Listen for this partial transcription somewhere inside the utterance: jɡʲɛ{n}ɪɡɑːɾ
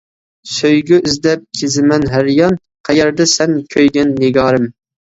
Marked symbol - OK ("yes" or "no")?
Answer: no